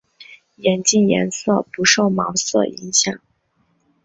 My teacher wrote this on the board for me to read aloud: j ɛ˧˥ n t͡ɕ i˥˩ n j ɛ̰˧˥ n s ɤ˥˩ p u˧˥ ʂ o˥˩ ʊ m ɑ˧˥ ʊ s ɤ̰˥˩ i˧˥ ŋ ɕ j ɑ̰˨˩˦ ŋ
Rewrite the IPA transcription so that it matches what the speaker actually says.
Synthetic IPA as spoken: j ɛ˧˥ n t͡ɕ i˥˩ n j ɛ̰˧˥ n s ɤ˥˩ p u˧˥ ʂ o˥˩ ʊ m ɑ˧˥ ʊ s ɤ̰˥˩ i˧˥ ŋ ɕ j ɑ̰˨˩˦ ŋ

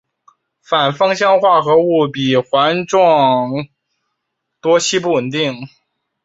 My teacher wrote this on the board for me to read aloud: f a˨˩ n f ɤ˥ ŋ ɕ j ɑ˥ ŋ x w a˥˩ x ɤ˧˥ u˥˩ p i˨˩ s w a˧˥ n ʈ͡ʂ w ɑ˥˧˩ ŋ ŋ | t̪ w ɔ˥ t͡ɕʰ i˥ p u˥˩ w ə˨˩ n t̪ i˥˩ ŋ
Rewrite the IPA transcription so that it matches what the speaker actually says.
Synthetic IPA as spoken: f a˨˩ n f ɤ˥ ŋ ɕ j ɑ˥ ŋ x w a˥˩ x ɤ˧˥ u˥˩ p i˨˩ x w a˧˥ n ʈ͡ʂ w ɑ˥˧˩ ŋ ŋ | t̪ w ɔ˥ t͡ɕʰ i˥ p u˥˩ w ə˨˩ n t̪ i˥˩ ŋ

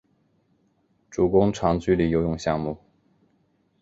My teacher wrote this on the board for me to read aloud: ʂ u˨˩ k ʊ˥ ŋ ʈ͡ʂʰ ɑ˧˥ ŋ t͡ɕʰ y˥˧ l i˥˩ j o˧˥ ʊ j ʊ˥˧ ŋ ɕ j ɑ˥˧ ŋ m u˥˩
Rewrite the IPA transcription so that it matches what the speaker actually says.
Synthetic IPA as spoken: ʈ͡ʂ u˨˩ k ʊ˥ ŋ ʈ͡ʂʰ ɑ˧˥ ŋ t͡ɕ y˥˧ l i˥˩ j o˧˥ ʊ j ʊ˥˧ ŋ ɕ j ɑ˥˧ ŋ m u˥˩

